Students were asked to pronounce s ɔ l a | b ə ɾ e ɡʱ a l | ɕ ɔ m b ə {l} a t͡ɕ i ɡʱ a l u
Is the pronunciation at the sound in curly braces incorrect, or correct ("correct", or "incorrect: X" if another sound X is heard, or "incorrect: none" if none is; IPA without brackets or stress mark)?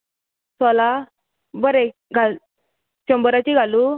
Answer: incorrect: ɾ